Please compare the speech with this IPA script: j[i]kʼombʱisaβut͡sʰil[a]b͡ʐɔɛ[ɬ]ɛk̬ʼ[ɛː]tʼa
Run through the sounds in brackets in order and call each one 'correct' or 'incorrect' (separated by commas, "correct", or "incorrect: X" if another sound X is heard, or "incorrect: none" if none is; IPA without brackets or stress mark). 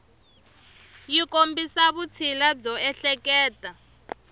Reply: correct, correct, correct, correct